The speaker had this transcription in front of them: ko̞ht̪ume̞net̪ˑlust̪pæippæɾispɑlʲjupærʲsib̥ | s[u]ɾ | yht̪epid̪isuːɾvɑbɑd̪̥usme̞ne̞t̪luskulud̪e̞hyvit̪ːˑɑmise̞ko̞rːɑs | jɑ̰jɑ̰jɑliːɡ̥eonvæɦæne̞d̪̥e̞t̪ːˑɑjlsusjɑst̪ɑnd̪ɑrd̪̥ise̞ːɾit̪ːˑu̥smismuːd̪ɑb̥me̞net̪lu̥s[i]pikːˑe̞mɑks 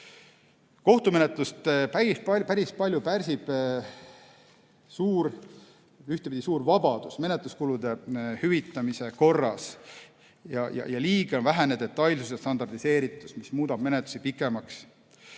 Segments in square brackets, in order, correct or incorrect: incorrect: uː, correct

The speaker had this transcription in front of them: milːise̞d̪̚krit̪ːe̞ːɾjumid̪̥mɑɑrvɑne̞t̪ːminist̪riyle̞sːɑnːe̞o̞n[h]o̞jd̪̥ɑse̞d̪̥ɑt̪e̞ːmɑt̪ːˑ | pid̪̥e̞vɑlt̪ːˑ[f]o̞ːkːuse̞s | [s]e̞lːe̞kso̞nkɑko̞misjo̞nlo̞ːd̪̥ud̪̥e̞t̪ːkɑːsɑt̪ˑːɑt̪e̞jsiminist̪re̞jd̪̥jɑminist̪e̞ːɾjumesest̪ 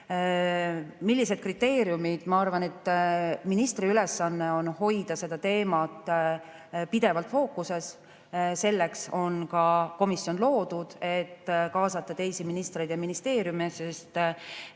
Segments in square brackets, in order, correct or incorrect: correct, correct, correct

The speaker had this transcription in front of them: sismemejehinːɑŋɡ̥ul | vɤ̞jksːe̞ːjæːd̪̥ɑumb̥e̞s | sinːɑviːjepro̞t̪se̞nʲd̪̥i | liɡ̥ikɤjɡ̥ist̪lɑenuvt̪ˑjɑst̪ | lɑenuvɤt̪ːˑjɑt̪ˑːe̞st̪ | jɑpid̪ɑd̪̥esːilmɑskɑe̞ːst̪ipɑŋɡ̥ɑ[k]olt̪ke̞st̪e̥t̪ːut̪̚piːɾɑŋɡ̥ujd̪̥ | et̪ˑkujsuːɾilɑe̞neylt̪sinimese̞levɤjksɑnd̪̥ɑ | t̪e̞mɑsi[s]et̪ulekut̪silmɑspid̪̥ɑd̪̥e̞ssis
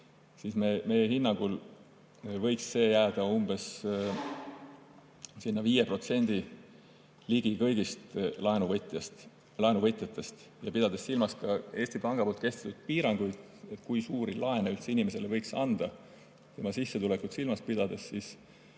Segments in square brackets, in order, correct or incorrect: incorrect: p, incorrect: sː

